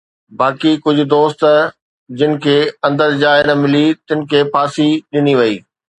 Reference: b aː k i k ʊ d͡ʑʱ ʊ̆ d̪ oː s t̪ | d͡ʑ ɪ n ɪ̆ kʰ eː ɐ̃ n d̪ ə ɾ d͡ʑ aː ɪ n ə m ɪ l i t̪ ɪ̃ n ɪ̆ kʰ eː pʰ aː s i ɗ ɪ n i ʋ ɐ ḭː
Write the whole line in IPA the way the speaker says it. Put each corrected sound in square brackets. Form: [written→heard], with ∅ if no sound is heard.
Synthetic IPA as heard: b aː k i k ʊ d͡ʑʱ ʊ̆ d̪ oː s t̪ | d͡ʑ ɪ n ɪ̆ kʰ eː ɐ̃ n d̪ ə ɾ d͡ʑ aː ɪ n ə m ɪ l i t̪ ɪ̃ n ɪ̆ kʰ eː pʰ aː s i ɗ ɪ n i ʋ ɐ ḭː